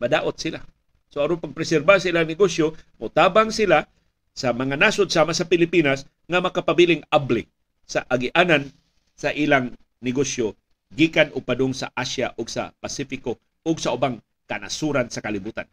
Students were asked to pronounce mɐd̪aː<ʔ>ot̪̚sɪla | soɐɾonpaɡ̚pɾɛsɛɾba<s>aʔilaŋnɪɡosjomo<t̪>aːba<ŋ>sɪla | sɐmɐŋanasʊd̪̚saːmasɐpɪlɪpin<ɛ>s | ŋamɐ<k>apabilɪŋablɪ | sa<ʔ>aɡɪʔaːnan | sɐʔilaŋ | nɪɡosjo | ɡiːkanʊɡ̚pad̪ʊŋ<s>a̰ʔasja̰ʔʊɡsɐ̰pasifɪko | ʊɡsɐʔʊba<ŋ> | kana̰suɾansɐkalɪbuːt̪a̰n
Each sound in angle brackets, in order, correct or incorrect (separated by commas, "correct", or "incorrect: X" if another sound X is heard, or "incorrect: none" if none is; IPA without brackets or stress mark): correct, correct, correct, correct, incorrect: a, correct, correct, correct, correct